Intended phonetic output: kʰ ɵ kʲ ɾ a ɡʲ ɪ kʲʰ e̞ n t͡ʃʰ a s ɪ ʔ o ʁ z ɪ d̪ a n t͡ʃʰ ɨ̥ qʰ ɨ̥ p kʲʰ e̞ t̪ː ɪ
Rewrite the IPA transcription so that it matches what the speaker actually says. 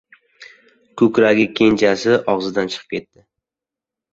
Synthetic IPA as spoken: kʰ ɵ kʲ ɾ a ɡʲ ɪ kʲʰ e̞ n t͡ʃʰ a s ɪ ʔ ɒ ʁ z ɪ d̪ a n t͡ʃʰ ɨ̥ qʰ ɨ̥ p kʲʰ e̞ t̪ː ɪ